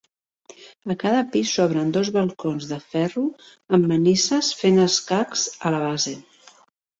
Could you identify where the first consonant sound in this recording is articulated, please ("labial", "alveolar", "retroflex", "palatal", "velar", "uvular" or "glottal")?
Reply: velar